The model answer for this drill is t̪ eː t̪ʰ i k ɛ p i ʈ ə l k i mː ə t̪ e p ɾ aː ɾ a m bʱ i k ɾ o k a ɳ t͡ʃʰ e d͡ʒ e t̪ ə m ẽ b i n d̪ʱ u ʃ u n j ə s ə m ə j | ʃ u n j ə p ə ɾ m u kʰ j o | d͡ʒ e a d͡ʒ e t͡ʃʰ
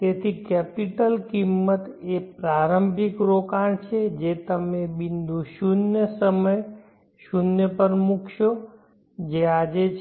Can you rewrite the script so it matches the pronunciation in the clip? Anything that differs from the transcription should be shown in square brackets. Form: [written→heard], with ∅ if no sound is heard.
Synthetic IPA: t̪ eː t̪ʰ i k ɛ p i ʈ ə l k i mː ə t̪ e p ɾ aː ɾ [a→ə] m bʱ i k ɾ o k a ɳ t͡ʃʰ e d͡ʒ e t̪ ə m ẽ b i n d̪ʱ u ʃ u n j ə s ə m ə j | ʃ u n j ə p ə ɾ m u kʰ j o | d͡ʒ e a d͡ʒ e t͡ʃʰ

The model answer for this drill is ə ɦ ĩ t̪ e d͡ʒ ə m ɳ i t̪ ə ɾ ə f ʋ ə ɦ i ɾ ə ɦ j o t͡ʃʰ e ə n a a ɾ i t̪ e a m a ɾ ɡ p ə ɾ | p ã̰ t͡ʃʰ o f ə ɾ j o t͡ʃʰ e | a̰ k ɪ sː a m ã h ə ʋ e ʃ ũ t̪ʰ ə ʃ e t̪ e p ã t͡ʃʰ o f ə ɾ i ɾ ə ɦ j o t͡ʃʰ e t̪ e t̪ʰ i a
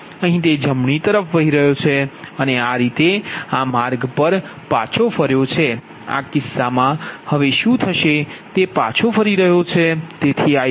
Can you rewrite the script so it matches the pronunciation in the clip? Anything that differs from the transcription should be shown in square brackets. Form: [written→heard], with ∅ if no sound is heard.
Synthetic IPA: ə ɦ ĩ t̪ e d͡ʒ ə m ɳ i t̪ ə ɾ ə f ʋ ə ɦ i ɾ ə ɦ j o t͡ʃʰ e ə n [a→e] a ɾ i t̪ e a m a ɾ ɡ p ə ɾ | p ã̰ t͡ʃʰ o f ə ɾ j o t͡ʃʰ e | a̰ k ɪ sː a m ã h ə ʋ e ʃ ũ t̪ʰ ə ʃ e t̪ e p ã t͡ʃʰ o f ə ɾ i ɾ ə ɦ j o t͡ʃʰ e t̪ e t̪ʰ i a

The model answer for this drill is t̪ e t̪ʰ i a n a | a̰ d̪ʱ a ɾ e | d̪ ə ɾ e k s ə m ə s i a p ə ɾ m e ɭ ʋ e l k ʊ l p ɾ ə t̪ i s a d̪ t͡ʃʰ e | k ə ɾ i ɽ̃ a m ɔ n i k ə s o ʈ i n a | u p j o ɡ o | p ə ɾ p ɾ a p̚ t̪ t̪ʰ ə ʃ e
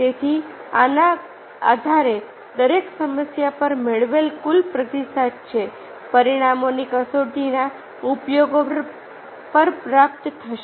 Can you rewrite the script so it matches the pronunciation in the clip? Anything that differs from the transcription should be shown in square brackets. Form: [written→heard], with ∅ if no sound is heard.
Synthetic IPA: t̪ e t̪ʰ i a n a | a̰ d̪ʱ a ɾ e | d̪ ə ɾ e k s ə m ə s [i→j] a p ə ɾ m e ɭ ʋ e l k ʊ l p ɾ ə t̪ i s a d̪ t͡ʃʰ e | [k→p] ə ɾ i ɽ̃ a m [ɔ→o] n i k ə s o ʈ i n a | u p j o ɡ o | p ə ɾ p ɾ a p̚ t̪ t̪ʰ ə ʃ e

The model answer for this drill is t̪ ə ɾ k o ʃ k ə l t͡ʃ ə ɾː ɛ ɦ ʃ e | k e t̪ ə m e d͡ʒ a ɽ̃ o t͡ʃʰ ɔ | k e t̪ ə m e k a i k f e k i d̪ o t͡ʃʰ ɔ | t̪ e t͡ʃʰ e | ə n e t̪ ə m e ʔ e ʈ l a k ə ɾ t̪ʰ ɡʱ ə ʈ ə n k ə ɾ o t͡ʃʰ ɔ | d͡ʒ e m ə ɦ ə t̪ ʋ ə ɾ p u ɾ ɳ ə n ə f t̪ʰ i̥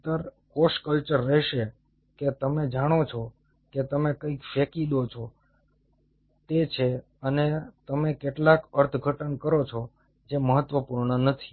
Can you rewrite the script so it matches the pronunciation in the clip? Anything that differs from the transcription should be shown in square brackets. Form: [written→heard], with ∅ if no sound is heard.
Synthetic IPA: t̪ ə ɾ k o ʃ k ə l t͡ʃ ə ɾː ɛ ɦ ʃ e | k e t̪ ə m e d͡ʒ a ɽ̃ o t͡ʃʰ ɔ | k e t̪ ə m e k [a→ə] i k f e k i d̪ o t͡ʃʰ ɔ | t̪ e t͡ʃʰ e | ə n e t̪ ə m e [ʔ→k] e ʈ l a k ə ɾ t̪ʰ ɡʱ ə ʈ ə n k ə ɾ o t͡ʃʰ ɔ | d͡ʒ e m ə ɦ ə t̪ ʋ ə [ɾ→∅] p u ɾ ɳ ə n ə [f→∅] t̪ʰ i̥

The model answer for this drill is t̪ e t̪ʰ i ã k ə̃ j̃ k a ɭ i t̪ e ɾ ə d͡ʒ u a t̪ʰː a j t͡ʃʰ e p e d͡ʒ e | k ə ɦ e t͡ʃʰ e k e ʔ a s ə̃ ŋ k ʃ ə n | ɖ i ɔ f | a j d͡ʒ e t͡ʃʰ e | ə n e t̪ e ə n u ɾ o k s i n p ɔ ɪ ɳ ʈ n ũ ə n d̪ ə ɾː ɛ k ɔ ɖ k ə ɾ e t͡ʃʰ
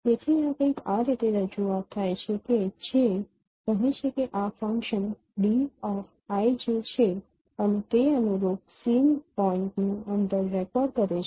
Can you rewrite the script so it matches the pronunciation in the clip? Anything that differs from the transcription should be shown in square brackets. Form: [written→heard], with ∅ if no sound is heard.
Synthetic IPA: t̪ e t̪ʰ i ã k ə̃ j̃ k a [ɭ→ɾ] i t̪ e ɾ ə d͡ʒ u a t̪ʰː a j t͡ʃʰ e [p→k] e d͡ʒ e | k ə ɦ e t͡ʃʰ e k e ʔ a [s→f] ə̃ ŋ k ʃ ə n | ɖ i ɔ f | a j d͡ʒ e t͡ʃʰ e | ə n e t̪ e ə n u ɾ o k s i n p ɔ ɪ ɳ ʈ n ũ ə n d̪ ə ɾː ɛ k ɔ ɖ k ə ɾ e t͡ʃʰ

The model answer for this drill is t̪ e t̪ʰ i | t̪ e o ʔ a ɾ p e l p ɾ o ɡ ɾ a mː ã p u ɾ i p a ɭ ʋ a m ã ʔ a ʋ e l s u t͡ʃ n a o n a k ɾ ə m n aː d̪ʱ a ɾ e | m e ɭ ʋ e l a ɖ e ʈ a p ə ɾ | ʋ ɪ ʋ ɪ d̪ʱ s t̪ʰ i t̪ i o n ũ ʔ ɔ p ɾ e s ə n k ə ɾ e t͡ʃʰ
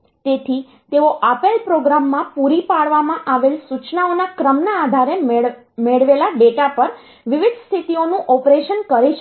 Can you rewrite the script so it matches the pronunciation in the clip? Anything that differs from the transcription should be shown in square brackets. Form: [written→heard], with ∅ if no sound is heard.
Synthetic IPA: t̪ e t̪ʰ i | t̪ e o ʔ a [ɾ→∅] p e l p ɾ o ɡ ɾ a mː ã p u ɾ i p a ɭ ʋ a m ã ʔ a ʋ e l s u t͡ʃ n a o n a k ɾ ə m n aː d̪ʱ a ɾ e | m e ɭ ʋ e l a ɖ e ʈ a p ə ɾ | ʋ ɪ ʋ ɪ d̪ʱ s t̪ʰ i t̪ i o n ũ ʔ ɔ p ɾ e [s→ʃ] ə n k ə ɾ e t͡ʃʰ

